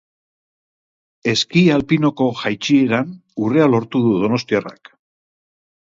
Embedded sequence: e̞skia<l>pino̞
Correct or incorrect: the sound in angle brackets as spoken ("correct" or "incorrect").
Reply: correct